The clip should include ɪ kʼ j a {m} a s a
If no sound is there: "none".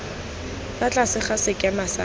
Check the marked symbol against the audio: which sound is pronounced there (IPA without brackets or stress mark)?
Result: m